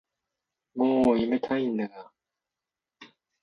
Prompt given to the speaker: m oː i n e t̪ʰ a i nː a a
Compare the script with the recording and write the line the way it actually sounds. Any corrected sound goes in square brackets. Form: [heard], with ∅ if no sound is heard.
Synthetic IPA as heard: m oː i [m] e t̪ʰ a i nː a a